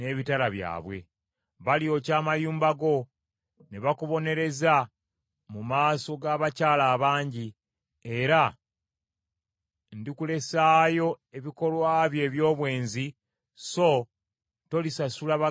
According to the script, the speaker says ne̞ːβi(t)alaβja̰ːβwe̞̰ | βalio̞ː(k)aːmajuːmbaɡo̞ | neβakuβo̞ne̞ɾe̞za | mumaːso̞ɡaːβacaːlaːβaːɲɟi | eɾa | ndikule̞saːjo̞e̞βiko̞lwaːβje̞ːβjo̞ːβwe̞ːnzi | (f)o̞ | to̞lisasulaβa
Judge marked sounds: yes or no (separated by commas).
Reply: yes, no, no